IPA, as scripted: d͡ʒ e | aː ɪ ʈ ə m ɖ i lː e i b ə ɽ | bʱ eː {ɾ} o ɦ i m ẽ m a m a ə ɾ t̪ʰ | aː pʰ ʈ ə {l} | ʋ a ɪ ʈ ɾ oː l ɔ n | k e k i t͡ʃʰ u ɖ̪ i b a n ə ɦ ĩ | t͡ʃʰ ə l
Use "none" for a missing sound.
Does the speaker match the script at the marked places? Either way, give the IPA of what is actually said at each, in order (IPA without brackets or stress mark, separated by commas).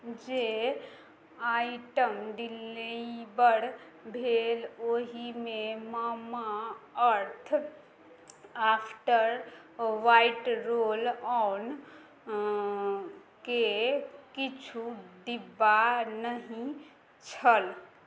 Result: l, ɾ